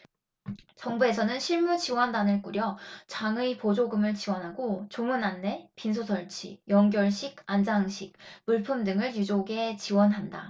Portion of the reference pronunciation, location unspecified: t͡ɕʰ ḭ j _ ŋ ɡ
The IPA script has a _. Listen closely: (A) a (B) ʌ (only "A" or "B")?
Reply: B